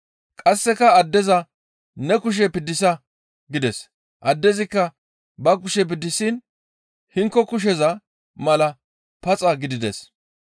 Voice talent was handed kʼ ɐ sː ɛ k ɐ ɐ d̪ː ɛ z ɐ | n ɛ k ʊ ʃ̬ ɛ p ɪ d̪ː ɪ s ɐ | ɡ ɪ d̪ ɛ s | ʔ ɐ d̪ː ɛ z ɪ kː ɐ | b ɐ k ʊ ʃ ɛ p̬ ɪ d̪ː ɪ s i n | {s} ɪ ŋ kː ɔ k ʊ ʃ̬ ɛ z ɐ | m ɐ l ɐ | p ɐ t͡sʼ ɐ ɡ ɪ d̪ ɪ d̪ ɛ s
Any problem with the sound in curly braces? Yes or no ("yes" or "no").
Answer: yes